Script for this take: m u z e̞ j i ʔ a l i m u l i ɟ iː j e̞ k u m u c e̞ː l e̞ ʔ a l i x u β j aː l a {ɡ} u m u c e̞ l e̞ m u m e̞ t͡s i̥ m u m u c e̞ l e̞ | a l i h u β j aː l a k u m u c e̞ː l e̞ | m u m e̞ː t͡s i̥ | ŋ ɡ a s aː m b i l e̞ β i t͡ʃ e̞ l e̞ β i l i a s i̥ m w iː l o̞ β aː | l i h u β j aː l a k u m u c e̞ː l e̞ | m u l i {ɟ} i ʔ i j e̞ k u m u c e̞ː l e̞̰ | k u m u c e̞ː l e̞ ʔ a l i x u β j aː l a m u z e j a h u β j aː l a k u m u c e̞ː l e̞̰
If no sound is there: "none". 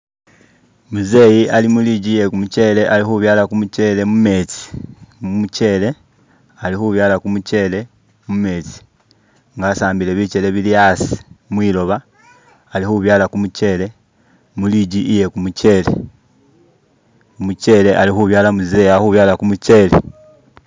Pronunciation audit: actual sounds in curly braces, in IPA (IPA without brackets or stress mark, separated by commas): k, ɟ